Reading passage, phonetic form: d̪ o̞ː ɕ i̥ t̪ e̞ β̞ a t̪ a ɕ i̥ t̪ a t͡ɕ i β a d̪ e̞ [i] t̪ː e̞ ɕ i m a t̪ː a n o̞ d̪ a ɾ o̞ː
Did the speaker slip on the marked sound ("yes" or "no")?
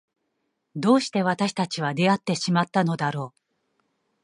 yes